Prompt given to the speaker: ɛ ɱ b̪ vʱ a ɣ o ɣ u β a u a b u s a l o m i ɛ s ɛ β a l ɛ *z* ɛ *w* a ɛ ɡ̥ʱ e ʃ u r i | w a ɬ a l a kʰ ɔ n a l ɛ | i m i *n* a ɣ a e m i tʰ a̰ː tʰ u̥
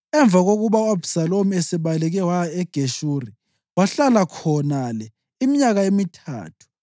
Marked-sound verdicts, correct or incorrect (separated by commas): incorrect, correct, incorrect